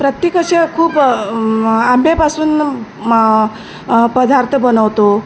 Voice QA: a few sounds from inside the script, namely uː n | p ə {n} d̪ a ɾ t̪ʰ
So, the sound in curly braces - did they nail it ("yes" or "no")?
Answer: no